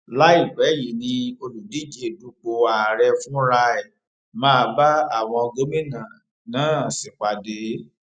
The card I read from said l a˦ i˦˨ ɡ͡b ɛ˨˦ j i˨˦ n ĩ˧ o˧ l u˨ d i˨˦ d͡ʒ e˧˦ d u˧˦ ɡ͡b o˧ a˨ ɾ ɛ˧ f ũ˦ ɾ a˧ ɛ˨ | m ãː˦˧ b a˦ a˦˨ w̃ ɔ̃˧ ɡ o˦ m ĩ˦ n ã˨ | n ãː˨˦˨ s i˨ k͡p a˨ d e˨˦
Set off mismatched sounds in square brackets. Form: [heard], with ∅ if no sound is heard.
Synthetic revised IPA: l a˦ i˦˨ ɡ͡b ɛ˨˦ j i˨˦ n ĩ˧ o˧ l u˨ d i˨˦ d͡ʒ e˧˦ d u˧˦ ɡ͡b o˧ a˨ ɾ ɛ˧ f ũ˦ ɾ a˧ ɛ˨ | m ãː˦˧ b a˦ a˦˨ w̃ ɔ̃˧ ɡ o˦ m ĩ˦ n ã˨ | n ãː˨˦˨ s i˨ k͡p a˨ d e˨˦